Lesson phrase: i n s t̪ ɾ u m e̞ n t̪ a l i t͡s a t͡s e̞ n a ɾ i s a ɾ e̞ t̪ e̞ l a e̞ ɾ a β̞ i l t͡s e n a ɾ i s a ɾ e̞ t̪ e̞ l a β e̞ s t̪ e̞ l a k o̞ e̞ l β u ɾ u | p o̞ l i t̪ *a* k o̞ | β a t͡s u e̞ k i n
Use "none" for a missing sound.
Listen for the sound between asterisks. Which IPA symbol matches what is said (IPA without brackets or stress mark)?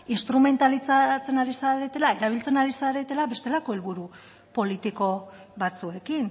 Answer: i